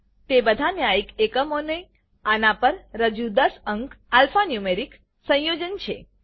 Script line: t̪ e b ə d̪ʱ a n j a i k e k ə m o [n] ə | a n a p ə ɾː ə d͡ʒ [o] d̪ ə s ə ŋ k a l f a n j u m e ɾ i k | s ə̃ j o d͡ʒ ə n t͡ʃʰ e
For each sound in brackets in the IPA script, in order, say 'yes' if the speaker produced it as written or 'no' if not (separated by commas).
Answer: yes, no